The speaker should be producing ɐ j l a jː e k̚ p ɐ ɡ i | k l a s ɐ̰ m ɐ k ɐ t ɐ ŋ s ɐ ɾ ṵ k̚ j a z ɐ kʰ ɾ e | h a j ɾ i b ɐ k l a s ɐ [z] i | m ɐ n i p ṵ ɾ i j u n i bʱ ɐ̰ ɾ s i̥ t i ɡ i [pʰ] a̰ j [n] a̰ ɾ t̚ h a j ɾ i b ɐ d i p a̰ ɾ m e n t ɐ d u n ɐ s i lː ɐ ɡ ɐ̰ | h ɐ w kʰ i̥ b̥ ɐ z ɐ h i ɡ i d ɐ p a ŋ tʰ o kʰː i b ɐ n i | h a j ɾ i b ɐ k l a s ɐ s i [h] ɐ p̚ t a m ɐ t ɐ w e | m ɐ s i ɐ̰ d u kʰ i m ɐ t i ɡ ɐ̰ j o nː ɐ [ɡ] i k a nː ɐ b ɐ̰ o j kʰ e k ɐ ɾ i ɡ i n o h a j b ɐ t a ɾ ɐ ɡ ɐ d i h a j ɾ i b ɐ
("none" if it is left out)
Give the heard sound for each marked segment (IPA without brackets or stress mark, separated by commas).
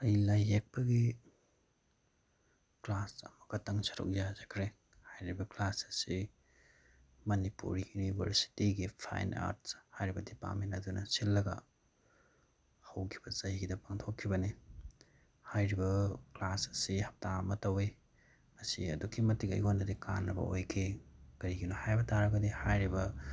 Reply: s, pʰ, n, h, d